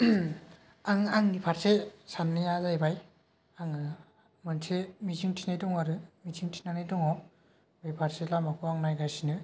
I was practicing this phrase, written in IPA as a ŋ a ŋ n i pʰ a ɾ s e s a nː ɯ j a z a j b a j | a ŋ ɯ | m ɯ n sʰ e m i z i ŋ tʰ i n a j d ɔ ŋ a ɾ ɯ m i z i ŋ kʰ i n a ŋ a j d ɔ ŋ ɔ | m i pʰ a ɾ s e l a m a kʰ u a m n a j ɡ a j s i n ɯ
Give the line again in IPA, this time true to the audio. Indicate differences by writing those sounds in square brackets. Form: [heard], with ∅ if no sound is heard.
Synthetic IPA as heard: a ŋ a ŋ n i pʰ a ɾ s e s a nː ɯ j a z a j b a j | a ŋ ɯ | m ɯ n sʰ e m i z i ŋ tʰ i n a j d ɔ ŋ a ɾ ɯ m i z i ŋ [tʰ] i n a [n] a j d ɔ ŋ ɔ | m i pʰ a ɾ s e l a m a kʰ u a [ŋ] n a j ɡ a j s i n ɯ